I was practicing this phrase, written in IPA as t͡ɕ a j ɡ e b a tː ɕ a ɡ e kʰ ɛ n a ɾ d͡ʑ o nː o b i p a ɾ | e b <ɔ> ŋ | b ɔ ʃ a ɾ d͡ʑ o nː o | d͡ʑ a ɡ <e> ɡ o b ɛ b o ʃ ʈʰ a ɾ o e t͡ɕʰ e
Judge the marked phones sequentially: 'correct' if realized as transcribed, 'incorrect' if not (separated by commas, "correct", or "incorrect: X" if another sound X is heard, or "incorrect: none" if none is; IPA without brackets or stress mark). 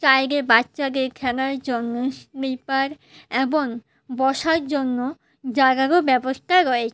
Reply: incorrect: o, incorrect: a